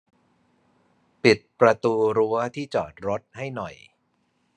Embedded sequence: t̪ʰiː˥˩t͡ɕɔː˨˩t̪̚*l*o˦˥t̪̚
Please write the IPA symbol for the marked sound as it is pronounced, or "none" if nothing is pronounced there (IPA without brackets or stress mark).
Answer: ɾ